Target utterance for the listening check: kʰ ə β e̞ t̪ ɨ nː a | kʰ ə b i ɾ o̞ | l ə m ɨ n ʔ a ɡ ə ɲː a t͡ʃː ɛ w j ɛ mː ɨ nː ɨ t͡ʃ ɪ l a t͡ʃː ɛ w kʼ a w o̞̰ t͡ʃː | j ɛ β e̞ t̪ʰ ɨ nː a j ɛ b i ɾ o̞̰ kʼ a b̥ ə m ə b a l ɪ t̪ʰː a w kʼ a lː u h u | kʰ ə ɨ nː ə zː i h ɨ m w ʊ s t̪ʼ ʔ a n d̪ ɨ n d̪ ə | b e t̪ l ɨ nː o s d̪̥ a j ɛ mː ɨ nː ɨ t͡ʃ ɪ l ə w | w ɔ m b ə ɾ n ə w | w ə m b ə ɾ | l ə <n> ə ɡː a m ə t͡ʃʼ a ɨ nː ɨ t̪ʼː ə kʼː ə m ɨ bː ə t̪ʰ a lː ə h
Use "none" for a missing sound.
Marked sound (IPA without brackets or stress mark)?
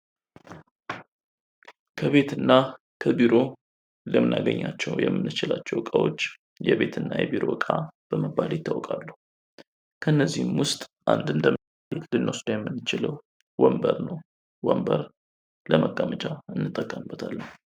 m